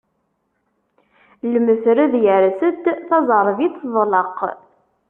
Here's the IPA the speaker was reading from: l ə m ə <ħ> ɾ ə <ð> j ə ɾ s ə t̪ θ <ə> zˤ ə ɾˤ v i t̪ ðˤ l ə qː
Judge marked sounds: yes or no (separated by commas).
no, yes, no